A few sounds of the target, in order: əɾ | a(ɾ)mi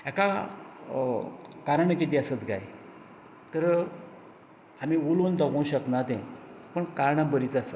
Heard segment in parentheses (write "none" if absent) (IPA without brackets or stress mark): none